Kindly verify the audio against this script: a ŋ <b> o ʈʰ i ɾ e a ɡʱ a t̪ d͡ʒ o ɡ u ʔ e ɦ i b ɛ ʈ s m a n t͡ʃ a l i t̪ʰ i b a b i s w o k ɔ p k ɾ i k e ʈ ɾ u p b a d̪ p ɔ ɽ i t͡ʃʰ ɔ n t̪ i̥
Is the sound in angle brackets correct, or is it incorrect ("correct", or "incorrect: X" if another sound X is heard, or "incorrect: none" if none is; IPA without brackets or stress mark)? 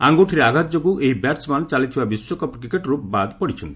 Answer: incorrect: ɡ